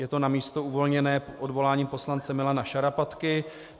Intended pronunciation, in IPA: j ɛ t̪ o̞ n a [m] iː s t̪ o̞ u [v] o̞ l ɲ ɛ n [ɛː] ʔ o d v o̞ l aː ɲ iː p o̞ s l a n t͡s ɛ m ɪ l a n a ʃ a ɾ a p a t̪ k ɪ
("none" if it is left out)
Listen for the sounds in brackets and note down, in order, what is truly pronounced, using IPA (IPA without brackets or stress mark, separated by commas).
m, v, ɛː